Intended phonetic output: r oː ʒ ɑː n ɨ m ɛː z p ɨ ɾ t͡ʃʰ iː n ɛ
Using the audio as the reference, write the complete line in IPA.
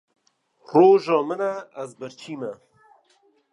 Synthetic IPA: r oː ʒ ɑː m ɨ n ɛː z b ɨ ɾ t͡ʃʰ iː m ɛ